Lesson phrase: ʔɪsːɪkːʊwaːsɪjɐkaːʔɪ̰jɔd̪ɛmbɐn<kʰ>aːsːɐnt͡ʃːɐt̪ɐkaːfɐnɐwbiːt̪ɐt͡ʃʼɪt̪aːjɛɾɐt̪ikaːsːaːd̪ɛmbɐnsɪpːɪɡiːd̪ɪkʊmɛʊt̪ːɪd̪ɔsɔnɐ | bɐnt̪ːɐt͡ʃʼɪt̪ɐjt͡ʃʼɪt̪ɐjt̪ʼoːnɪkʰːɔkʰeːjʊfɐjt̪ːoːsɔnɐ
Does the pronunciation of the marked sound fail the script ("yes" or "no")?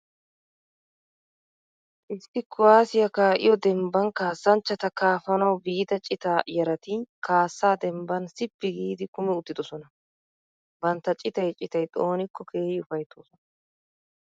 yes